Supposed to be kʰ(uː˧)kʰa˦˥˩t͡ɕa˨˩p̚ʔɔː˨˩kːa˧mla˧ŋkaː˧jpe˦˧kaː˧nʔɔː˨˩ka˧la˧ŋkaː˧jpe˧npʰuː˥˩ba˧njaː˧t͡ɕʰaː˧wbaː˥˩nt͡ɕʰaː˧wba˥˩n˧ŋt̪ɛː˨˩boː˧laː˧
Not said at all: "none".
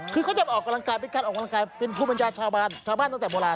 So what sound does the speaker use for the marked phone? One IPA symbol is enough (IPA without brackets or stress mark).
ɯː˧